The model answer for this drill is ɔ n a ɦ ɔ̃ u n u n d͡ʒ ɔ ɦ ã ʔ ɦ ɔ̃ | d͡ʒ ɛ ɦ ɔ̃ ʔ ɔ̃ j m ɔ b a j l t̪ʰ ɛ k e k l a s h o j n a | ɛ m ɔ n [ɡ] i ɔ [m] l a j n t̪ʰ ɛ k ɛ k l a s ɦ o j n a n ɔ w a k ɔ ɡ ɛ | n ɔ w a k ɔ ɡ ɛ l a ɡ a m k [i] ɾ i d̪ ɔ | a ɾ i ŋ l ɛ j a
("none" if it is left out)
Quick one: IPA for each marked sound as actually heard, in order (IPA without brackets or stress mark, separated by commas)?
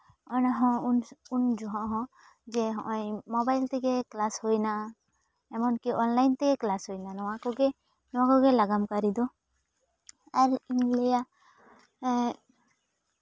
k, n, a